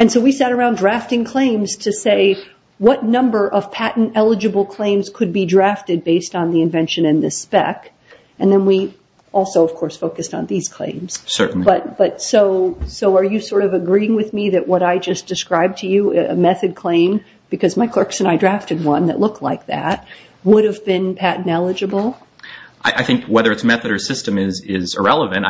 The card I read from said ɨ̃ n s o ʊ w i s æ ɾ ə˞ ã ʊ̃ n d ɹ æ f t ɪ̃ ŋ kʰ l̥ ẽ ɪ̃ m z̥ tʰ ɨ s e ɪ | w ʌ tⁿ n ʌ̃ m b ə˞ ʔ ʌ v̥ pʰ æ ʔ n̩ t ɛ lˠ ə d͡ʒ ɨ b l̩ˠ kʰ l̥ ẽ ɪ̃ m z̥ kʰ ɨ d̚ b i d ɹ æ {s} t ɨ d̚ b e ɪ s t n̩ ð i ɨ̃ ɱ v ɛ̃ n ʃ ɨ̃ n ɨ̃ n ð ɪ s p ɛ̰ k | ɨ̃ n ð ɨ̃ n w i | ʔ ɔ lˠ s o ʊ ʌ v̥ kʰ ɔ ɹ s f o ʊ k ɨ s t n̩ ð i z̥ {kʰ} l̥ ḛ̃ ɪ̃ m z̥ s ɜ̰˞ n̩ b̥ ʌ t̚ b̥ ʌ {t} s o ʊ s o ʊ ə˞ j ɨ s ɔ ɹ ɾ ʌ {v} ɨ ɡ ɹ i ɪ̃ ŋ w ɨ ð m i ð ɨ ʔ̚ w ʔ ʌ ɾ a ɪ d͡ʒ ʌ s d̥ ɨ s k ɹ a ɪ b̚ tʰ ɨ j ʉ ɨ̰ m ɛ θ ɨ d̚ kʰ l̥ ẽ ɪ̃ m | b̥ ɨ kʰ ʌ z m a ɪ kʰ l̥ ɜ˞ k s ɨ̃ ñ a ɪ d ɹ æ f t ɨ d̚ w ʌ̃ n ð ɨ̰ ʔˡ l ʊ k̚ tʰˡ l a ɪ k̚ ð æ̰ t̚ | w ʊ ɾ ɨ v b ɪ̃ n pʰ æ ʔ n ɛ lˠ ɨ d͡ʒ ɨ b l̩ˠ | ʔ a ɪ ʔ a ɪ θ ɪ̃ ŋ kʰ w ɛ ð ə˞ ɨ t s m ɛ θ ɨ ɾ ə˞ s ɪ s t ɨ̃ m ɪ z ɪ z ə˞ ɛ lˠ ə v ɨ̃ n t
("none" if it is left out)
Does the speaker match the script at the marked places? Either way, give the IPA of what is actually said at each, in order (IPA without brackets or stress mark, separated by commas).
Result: f, kʰ, t, v